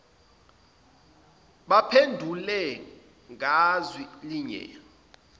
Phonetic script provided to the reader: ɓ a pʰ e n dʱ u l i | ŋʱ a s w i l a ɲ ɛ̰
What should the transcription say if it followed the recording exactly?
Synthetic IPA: ɓ a pʰ e n dʱ u l ɛ | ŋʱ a z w i l i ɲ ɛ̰